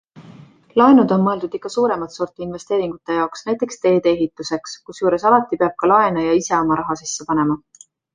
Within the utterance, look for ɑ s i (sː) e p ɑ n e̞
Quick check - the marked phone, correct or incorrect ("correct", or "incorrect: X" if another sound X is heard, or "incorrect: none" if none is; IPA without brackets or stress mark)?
correct